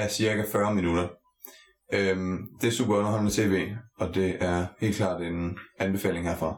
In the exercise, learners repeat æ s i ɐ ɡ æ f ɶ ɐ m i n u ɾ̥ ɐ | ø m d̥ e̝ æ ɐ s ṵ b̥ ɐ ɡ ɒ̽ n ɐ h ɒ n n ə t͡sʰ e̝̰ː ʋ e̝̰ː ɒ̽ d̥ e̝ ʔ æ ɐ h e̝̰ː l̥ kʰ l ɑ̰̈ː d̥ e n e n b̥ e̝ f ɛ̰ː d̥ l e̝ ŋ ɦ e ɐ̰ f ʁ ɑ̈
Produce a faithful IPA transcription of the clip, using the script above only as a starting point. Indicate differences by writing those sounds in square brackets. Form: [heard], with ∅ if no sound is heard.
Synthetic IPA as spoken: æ s i ɐ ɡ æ f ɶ ɐ m i n u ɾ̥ ɐ | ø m d̥ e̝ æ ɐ s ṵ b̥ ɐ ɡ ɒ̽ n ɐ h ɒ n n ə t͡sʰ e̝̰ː ʋ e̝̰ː ɒ̽ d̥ e̝ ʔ æ ɐ h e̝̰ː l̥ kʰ l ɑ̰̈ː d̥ e n [æ] n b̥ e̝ f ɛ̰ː [∅] l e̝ ŋ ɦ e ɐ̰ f ʁ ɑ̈